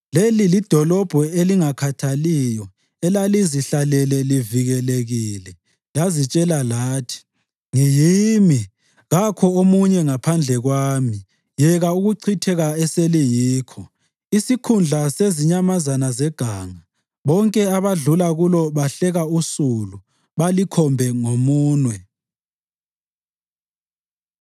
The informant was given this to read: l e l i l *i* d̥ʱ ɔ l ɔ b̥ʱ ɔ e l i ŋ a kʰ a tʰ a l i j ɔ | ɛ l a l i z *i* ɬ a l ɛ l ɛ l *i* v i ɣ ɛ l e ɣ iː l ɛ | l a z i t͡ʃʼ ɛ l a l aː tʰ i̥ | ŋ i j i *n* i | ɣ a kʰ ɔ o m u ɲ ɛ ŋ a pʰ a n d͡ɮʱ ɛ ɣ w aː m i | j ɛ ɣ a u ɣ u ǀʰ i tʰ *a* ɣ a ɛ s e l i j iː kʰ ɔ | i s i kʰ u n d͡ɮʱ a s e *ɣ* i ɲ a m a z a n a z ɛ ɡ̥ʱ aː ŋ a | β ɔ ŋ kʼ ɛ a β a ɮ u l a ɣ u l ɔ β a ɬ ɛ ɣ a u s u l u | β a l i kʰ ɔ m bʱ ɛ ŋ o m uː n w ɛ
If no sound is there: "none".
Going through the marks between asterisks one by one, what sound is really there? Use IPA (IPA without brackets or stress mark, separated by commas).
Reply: i, i, i, m, ɛ, z